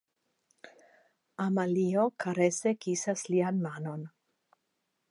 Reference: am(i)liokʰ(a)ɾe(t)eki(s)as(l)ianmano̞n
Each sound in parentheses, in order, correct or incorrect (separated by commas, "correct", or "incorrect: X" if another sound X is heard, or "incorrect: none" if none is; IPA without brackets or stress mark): incorrect: a, correct, incorrect: s, correct, correct